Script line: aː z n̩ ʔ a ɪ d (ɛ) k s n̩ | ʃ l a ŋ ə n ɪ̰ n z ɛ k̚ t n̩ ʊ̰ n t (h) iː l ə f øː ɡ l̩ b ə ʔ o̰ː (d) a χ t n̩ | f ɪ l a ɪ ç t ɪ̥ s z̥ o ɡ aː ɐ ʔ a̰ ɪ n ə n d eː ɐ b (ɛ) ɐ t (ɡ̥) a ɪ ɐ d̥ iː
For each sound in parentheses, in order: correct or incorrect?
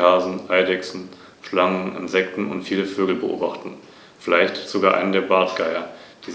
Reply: correct, incorrect, incorrect, incorrect, correct

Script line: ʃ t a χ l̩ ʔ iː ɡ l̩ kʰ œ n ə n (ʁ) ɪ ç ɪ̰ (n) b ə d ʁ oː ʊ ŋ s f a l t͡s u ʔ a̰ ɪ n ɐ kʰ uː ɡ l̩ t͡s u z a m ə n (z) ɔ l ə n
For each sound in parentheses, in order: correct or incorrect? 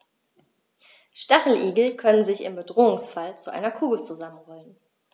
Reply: incorrect, incorrect, incorrect

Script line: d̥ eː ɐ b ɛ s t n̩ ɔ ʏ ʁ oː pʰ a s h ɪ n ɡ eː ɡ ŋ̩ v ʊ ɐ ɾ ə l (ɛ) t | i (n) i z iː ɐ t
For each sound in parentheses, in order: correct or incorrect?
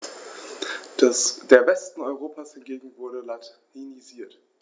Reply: incorrect, correct

